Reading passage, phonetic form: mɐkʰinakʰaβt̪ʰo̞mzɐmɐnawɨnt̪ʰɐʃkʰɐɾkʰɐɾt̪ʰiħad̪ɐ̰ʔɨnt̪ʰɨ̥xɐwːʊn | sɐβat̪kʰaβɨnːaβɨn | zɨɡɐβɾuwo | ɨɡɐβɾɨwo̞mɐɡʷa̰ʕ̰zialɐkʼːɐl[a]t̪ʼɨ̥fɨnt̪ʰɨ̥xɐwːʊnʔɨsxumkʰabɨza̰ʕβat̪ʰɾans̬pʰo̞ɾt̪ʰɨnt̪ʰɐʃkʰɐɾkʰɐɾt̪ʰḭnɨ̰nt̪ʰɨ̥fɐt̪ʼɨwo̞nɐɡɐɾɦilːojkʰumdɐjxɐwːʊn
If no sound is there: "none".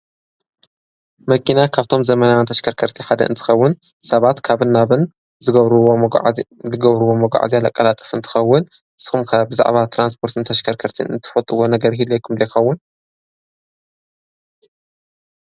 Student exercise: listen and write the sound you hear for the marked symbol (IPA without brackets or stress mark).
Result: a